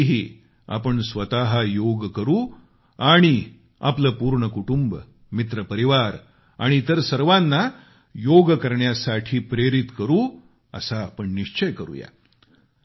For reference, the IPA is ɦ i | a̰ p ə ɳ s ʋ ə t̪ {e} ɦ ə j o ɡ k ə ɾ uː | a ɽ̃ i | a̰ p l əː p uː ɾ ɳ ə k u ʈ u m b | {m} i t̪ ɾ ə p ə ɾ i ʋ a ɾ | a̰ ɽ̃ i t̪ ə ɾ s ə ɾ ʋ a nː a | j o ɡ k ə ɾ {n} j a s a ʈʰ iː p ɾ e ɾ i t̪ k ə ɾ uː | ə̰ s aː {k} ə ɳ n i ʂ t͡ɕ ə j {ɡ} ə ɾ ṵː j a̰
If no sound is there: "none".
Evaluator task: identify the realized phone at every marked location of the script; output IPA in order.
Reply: a, m, ɳ, p, k

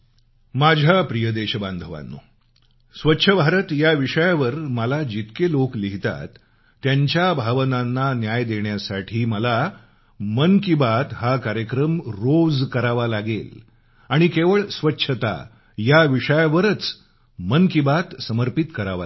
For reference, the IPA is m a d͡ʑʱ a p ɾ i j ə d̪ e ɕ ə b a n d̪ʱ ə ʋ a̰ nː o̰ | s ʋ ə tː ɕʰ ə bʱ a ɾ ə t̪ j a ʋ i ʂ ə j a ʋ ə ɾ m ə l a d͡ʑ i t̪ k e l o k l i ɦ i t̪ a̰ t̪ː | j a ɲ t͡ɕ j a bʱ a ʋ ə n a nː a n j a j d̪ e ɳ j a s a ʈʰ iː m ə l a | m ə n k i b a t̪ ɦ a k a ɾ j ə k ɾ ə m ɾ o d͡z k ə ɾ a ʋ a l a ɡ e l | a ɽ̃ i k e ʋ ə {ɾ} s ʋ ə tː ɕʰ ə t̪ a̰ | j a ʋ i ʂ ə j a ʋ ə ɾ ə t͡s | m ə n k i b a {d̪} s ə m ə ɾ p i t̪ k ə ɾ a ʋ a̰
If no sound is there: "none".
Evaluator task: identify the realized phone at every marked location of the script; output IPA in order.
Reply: ɭ, t̪

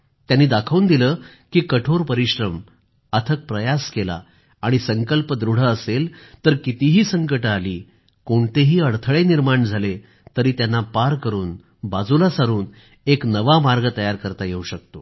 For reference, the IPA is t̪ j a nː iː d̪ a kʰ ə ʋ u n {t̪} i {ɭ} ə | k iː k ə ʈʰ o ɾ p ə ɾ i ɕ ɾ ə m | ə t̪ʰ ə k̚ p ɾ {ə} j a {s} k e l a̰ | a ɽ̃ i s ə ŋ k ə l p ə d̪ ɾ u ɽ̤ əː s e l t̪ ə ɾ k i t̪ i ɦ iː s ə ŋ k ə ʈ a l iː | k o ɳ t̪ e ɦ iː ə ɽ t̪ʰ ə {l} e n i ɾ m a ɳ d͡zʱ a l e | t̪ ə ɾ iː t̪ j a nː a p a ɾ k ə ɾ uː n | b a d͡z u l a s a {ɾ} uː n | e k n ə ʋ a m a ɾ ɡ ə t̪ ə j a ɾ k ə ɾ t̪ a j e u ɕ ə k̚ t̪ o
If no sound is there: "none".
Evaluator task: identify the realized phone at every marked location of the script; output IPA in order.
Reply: d̪, l, ə, s, ɭ, ɾ

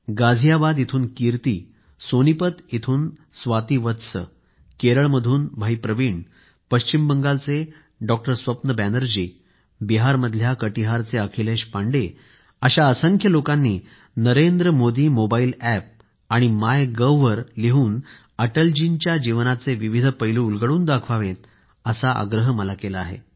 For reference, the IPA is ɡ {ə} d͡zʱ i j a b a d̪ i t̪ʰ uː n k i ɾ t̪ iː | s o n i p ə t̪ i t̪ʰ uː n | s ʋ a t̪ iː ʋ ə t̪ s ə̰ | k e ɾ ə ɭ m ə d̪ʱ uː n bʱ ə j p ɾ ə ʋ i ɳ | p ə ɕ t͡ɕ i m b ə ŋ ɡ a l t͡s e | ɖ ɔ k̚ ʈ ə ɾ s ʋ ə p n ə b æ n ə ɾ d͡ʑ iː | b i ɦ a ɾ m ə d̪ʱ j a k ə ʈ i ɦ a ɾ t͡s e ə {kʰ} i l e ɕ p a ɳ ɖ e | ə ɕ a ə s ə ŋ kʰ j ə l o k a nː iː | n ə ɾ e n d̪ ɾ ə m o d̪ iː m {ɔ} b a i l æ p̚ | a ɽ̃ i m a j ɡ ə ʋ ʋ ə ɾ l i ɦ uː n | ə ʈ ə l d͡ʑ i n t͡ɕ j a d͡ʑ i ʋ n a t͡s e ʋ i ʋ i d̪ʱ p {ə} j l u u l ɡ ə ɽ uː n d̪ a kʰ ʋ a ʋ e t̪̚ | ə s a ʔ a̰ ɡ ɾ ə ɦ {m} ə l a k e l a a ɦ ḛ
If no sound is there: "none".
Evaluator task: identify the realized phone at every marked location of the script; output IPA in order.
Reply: a, kʰ, o, ə, m

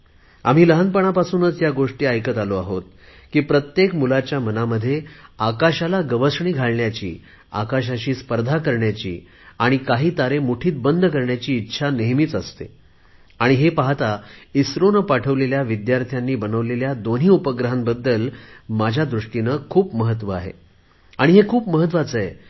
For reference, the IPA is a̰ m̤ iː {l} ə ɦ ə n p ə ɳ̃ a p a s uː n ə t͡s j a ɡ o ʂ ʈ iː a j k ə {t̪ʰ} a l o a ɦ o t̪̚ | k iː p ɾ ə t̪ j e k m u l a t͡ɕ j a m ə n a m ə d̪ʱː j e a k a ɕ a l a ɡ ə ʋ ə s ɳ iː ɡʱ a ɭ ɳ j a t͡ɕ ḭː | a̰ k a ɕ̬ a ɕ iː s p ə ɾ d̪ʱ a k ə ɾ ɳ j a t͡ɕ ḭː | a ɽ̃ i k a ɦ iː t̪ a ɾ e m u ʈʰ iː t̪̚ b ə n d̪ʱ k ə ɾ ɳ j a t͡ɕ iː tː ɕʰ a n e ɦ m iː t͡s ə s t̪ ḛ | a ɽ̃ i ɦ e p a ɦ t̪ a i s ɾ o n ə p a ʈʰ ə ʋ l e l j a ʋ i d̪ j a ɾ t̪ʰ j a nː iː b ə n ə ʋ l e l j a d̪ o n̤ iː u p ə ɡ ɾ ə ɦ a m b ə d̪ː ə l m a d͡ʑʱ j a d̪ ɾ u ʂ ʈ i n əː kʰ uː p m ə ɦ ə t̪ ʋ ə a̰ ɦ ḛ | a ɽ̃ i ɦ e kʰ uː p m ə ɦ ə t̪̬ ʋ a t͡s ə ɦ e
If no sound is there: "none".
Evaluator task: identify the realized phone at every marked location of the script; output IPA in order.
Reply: l, t̪

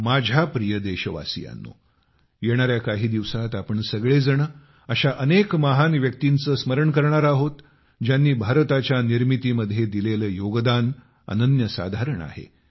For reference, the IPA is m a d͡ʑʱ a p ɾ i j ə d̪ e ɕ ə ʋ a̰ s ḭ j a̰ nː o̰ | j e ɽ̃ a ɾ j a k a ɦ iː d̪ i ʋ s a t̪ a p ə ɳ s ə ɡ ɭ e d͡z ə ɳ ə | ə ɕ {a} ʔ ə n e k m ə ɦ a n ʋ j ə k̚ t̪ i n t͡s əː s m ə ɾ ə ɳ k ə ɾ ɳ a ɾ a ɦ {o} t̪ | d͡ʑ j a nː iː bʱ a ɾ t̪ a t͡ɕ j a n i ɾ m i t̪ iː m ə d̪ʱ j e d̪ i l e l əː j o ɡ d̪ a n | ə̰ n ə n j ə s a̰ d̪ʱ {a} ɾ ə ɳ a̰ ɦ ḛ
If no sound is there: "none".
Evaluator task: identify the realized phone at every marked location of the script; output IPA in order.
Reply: a, o, a

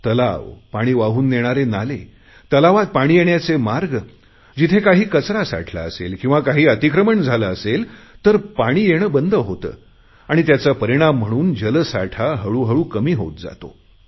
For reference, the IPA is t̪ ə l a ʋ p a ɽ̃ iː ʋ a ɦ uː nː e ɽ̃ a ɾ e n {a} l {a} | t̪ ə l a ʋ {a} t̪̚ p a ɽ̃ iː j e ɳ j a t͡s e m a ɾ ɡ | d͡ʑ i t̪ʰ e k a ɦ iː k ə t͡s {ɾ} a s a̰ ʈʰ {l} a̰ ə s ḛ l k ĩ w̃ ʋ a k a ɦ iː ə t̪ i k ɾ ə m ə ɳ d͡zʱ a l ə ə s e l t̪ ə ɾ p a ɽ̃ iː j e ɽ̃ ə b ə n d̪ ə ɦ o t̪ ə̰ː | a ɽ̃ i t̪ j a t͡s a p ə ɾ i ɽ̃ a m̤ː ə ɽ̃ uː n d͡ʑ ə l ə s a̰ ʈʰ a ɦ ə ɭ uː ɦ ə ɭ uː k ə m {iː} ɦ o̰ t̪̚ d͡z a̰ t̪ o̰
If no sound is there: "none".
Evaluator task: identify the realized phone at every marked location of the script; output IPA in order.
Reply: a, e, a, ɾ, l, iː

